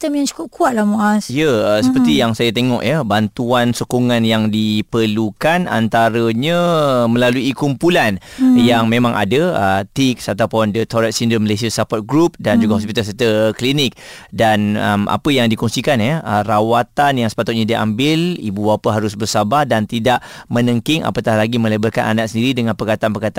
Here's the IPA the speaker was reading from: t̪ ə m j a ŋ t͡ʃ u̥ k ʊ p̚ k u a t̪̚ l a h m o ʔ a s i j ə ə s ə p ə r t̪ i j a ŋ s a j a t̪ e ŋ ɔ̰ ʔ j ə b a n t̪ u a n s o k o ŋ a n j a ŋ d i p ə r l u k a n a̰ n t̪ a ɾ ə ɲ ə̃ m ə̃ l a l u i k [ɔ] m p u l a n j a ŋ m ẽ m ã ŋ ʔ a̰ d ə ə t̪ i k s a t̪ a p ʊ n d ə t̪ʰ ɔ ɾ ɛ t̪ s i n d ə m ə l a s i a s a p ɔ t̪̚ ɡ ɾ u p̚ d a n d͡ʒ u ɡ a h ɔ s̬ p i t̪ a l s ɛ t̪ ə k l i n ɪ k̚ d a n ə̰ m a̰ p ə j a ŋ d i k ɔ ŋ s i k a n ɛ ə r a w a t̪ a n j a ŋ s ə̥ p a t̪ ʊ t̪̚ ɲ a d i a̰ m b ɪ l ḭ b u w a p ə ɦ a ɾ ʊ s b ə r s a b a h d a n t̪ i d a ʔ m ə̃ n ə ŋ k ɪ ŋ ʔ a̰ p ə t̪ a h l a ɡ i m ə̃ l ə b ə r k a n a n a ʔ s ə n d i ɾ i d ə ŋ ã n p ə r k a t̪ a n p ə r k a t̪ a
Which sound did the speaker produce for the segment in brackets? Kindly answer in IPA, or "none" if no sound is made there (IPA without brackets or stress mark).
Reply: u